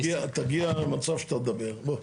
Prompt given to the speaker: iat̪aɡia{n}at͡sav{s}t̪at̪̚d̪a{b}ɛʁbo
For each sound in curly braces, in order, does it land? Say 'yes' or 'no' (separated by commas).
no, no, yes